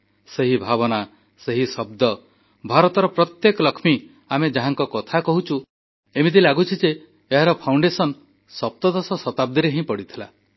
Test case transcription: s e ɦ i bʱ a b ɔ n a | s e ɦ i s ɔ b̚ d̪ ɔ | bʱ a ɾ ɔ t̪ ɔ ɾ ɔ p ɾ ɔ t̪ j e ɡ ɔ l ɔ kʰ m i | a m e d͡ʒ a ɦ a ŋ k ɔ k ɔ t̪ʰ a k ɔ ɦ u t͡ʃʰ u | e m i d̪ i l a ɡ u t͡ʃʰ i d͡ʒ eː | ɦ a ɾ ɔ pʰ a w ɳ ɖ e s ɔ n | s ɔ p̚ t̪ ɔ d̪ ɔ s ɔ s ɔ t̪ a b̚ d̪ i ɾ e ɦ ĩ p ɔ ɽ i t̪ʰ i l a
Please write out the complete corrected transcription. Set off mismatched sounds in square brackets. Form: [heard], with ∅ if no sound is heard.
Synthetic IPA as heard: s e ɦ i bʱ a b ɔ n a | s e ɦ i s ɔ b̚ d̪ ɔ | bʱ a ɾ ɔ t̪ ɔ ɾ ɔ p ɾ ɔ t̪ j e [k] ɔ l ɔ kʰ m i | a m e d͡ʒ a ɦ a ŋ k ɔ k ɔ t̪ʰ a k ɔ ɦ u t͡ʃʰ u | e m i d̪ i l a ɡ u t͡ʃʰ i d͡ʒ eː | ɦ a ɾ ɔ pʰ a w ɳ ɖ e s ɔ n | s ɔ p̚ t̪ ɔ d̪ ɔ s ɔ s ɔ t̪ a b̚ d̪ i ɾ e ɦ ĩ p ɔ ɽ i t̪ʰ i l a